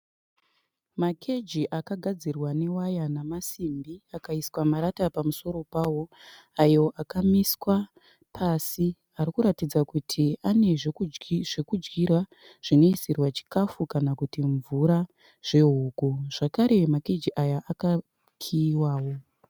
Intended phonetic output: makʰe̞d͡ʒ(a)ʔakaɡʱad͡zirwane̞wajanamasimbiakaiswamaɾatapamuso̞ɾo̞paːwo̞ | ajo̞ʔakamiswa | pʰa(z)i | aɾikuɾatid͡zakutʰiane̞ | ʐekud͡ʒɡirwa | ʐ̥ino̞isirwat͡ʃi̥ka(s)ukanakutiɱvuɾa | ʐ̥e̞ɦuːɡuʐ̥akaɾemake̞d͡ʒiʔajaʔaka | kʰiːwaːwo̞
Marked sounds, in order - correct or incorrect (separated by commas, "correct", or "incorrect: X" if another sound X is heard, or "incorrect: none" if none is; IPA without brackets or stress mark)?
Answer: incorrect: i, incorrect: s, incorrect: f